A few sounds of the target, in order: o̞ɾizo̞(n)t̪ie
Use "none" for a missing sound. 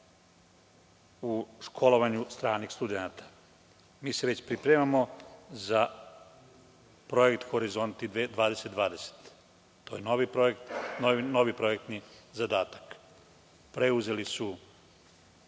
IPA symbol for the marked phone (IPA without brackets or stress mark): n